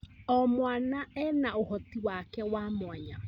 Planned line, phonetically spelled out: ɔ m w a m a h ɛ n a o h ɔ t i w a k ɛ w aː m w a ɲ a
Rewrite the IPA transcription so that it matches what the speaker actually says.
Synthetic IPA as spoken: ɔ m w a n a ɛ n a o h ɔ t i w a k ɛ w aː m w a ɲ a